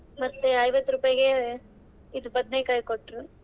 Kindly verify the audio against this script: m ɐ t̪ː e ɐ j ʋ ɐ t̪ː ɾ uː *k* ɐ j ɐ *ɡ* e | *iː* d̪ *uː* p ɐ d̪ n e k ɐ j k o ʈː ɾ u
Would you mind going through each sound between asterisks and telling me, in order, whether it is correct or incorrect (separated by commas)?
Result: incorrect, correct, incorrect, incorrect